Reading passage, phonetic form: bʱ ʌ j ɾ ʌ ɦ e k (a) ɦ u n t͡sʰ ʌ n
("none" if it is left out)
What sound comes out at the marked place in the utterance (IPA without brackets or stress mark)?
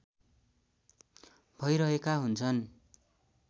a